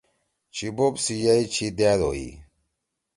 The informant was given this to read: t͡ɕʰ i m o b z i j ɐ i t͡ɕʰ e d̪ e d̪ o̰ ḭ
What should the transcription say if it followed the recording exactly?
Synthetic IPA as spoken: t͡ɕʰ i b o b s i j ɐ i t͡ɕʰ i d̪ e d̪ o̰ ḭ